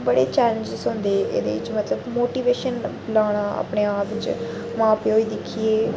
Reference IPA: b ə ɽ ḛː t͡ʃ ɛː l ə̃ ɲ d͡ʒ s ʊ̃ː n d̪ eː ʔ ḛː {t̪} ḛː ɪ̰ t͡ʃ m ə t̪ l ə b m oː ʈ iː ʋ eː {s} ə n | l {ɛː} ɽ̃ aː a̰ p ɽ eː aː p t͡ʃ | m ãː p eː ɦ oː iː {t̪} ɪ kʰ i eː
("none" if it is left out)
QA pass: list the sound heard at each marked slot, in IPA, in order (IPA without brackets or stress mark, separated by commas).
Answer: d̪, ʃ, aː, d̪